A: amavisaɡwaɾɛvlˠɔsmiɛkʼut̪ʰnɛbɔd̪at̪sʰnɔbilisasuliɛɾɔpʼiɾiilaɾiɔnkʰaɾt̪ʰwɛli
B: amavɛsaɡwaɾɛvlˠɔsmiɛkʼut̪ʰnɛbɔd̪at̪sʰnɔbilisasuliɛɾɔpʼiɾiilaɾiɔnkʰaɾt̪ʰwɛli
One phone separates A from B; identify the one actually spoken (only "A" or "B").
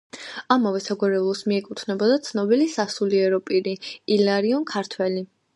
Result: B